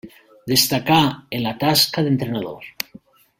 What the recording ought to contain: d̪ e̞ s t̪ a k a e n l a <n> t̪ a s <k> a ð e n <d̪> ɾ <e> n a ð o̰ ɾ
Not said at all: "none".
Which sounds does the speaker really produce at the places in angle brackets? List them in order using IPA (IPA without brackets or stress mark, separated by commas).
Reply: none, k, t̪, e